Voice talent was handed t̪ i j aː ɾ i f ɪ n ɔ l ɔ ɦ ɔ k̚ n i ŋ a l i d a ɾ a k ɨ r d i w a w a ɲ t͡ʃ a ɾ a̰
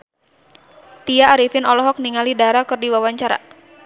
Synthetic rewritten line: t̪ i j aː ɾ i f ɪ n ɔ l ɔ ɦ ɔ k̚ n i ŋ a l i d a ɾ a k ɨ r d i w a w a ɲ t͡ʃ a ɾ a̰